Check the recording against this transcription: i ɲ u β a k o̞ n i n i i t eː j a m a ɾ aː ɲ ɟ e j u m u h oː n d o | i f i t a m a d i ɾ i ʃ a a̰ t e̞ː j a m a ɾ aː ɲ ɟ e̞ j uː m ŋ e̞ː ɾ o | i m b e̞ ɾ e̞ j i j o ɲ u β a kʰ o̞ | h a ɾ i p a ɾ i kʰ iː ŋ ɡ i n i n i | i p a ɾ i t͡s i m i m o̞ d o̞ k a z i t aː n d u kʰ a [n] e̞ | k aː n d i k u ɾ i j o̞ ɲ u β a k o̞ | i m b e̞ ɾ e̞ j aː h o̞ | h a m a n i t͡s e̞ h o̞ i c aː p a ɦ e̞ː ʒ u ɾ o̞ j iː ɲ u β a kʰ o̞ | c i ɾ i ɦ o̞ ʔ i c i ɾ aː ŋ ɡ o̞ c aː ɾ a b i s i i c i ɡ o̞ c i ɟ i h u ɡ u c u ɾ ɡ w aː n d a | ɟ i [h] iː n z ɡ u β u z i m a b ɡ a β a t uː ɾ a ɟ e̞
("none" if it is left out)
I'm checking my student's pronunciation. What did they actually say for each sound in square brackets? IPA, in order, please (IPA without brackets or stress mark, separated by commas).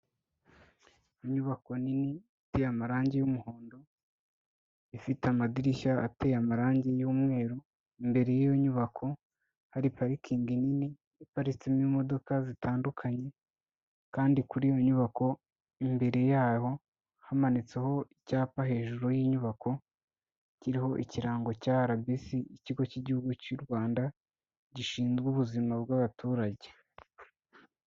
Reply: ɲ, ʃ